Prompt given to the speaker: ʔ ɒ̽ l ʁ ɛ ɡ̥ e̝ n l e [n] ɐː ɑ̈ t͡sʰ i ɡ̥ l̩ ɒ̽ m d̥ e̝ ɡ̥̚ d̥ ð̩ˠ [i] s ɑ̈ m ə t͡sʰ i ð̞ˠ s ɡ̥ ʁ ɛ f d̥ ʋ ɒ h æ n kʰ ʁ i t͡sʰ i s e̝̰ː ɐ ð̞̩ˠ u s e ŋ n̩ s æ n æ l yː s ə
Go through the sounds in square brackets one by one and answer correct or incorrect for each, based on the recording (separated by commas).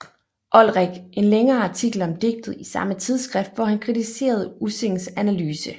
incorrect, correct